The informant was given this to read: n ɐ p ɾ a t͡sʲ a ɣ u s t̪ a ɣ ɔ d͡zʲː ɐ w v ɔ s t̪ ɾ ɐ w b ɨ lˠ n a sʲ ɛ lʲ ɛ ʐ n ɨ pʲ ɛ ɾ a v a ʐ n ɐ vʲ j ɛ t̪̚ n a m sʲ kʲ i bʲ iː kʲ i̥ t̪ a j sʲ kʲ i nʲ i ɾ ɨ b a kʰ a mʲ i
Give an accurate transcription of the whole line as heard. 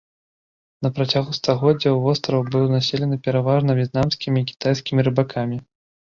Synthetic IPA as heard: n ɐ p ɾ a t͡sʲ a ɣ u s t̪ a ɣ ɔ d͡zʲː ɐ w v ɔ s t̪ ɾ ɐ w b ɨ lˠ n a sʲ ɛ lʲ ɛ n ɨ pʲ ɛ ɾ a v a ʐ n ɐ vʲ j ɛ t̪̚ n a m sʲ kʲ i mʲ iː kʲ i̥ t̪ a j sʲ kʲ i mʲ i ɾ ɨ b a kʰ a mʲ i

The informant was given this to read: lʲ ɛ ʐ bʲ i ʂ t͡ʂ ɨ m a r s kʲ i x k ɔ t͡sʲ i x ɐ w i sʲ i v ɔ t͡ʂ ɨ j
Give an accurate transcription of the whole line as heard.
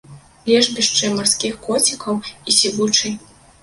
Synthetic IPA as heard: lʲ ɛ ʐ bʲ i ʂ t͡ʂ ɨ m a r s kʲ i x k ɔ t͡sʲ i k ɐ w i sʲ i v u t͡ʂ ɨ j

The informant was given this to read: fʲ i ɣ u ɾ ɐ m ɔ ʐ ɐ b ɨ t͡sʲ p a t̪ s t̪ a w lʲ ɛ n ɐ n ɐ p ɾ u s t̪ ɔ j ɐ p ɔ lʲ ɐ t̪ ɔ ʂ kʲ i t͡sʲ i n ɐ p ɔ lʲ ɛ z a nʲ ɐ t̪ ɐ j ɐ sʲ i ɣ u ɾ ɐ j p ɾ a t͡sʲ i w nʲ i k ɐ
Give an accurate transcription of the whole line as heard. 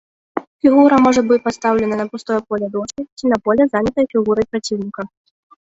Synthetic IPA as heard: fʲ i ɣ u ɾ ɐ m ɔ ʐ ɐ b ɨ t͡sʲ p a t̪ s t̪ a w lʲ ɛ n ɐ n ɐ p ɾ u s t̪ ɔ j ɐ p ɔ lʲ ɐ d̪ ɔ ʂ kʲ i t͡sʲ i n ɐ p ɔ lʲ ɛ z a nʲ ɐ t̪ ɐ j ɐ fʲ i ɣ u ɾ ɐ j p ɾ a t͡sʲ i w nʲ i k ɐ

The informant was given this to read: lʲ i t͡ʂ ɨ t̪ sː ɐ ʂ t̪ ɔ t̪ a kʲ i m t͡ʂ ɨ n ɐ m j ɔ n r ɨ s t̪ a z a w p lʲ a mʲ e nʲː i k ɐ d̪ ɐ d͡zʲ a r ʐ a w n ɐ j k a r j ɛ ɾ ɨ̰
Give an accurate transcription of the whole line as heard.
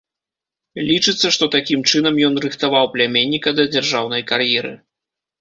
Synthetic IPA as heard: lʲ i t͡ʂ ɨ t̪ sː ɐ ʂ t̪ ɔ t̪ a kʲ i m t͡ʂ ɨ n ɐ m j ɔ n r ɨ x t̪ a v a w p lʲ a mʲ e nʲː i k ɐ d̪ ɐ d͡zʲ a r ʐ a w n ɐ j k a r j ɛ ɾ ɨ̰

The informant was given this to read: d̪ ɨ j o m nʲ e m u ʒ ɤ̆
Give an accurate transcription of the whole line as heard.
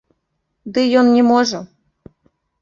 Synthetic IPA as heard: d̪ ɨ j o n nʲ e m o ʒ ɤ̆

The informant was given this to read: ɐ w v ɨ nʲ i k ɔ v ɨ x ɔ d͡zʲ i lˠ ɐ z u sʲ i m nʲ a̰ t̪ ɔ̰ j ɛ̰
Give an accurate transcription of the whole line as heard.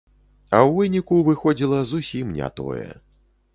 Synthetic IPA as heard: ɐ w v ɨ nʲ i k u v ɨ x ɔ d͡zʲ i lˠ ɐ z u sʲ i m nʲ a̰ t̪ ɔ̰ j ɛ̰

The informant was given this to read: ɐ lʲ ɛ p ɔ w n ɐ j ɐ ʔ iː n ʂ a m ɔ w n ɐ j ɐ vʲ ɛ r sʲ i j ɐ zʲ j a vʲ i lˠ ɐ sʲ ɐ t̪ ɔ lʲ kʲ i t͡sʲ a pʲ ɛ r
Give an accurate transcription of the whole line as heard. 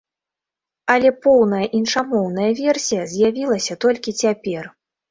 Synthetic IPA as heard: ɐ lʲ ɛ p ɔ w n ɐ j ɐ ʔ i n ʂ a m ɔ w n ɐ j ɐ vʲ ɛ r sʲ i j ɐ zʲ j a vʲ i lˠ ɐ sʲ ɐ t̪ ɔ lʲ kʲ i t͡sʲ a pʲ ɛ r

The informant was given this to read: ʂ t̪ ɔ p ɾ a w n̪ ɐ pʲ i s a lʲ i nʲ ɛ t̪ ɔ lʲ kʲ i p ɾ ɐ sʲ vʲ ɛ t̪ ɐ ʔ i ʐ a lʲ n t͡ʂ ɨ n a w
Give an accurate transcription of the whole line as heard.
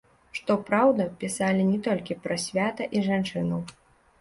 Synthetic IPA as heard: ʂ t̪ ɔ p ɾ a w d̪ ɐ pʲ i s a lʲ i nʲ ɛ t̪ ɔ lʲ kʲ i p ɾ ɐ sʲ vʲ a t̪ ɐ ʔ i ʐ a n t͡ʂ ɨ n ɐ w

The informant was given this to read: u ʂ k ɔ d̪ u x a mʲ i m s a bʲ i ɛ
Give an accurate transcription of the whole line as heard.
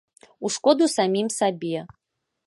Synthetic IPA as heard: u ʂ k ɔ d̪ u s a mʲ i m s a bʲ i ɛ

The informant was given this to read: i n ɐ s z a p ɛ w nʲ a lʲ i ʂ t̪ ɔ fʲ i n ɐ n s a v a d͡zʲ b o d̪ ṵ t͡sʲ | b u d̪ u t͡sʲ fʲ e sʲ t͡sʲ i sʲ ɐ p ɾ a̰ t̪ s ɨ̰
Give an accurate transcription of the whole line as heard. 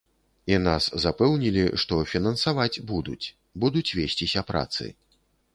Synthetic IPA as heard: i n a s z a p ɛ w nʲ i lʲ i ʂ t̪ ɔ fʲ i n ɐ n s a v a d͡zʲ b u d̪ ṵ t͡sʲ | b u d̪ u t͡sʲ vʲ e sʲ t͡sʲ i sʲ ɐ p ɾ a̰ t̪ s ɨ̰

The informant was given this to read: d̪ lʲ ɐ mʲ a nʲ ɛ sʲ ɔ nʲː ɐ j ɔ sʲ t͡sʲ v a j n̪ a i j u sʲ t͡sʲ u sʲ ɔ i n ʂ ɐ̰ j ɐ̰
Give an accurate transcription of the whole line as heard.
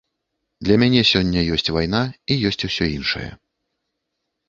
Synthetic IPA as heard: d̪ lʲ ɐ mʲ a nʲ ɛ sʲ ɔ nʲː ɐ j ɔ sʲ t͡sʲ v a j n̪ a i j ɔ sʲ t͡sʲ u sʲ ɔ i n ʂ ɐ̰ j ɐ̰

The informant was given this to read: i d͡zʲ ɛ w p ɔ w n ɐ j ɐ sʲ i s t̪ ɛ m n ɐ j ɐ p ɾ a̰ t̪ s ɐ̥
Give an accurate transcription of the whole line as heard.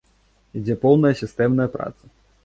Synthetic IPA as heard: i d͡zʲ ɛ p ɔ w n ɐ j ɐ sʲ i s t̪ ɛ m n ɐ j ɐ p ɾ a̰ t̪ s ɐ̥

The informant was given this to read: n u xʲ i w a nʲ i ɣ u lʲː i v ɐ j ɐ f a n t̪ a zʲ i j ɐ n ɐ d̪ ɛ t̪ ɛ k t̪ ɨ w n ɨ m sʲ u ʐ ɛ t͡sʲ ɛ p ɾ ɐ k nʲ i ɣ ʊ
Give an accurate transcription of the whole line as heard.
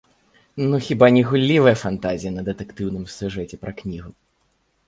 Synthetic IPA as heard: n u xʲ i b a nʲ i ɣ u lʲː i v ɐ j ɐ f a n t̪ a zʲ i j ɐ n ɐ d̪ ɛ t̪ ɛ k t̪ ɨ w n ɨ m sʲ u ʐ ɛ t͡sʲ ɛ p ɾ ɐ k nʲ i ɣ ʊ

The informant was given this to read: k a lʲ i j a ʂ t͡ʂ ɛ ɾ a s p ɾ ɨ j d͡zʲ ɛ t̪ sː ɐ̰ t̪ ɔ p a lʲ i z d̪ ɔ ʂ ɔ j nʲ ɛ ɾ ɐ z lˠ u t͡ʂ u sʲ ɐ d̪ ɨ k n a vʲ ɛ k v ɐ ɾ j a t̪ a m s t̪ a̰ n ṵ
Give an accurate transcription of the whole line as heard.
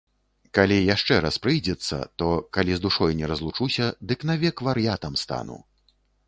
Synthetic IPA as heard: k a lʲ i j a ʂ t͡ʂ ɛ ɾ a s p ɾ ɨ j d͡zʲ ɛ t̪ sː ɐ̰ t̪ ɔ k a lʲ i z d̪ u ʂ ɔ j nʲ ɛ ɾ ɐ z lˠ u t͡ʂ u sʲ ɐ d̪ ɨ k n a vʲ ɛ k v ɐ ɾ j a t̪ ɐ m s t̪ a̰ n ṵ

